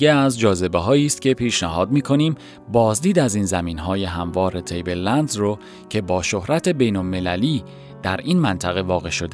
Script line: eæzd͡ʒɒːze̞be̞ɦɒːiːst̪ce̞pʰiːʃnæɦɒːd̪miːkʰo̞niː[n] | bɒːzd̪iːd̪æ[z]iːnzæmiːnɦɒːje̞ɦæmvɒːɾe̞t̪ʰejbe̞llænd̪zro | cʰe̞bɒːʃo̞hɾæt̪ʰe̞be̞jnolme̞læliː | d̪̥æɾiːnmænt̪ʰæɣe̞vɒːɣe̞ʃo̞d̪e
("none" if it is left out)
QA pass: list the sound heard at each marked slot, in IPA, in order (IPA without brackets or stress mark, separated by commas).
m, z